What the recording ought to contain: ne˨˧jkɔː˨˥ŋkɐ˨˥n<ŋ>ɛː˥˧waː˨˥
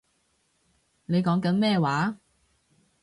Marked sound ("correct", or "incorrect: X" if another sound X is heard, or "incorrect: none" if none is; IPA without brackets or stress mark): incorrect: m